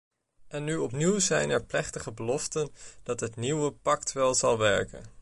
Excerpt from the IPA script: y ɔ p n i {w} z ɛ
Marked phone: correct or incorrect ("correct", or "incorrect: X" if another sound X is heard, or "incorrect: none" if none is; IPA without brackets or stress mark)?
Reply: correct